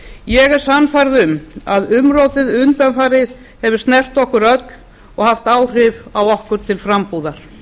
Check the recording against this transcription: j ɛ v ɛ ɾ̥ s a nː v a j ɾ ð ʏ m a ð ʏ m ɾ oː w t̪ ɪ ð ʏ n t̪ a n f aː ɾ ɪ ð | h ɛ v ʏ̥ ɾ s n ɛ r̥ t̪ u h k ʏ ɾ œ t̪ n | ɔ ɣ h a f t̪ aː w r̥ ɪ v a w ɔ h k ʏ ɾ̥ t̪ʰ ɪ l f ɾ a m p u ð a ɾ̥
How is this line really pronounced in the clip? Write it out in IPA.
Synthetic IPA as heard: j ɛ ɣ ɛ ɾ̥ s a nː f a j ɾ ð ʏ m a ð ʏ m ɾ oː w t̪ ɪ ð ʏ n t̪ a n f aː ɾ ɪ ð | h ɛ v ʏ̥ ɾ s n ɛ r̥ t̪ ɔ h k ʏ ɾ œ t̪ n | ɔ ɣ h a f t̪ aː w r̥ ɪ v a w ɔ h k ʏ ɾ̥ t̪ʰ ɪ l f ɾ a m p u ð a ɾ̥